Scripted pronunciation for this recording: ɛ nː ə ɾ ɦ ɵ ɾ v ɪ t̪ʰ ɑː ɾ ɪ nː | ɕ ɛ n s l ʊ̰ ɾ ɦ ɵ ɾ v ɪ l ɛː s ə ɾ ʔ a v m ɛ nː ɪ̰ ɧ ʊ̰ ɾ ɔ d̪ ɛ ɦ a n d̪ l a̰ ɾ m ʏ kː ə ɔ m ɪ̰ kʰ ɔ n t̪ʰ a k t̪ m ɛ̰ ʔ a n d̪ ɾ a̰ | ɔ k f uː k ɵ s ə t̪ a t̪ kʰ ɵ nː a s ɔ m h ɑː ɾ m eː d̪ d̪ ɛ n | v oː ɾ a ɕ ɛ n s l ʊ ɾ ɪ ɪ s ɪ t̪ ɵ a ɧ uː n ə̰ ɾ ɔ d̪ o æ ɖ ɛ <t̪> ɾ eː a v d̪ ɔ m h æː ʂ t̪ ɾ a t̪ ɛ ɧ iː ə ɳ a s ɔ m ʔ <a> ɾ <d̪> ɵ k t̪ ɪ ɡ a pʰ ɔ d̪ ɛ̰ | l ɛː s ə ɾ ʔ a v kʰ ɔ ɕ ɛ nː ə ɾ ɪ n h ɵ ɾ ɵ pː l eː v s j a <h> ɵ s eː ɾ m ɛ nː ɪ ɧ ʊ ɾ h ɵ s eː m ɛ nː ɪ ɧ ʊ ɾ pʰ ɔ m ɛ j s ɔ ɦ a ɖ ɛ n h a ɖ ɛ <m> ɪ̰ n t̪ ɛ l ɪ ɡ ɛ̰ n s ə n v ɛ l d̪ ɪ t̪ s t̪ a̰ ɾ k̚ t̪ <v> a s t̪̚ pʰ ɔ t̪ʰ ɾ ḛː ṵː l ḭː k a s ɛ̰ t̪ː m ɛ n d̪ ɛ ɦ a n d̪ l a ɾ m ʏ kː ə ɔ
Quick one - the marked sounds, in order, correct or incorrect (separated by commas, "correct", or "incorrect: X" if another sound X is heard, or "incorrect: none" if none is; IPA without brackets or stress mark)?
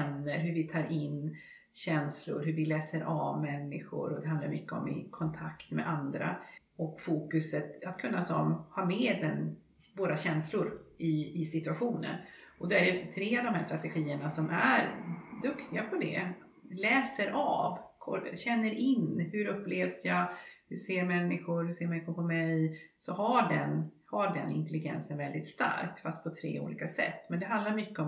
incorrect: t̪ʰ, incorrect: æ, correct, correct, incorrect: n, incorrect: f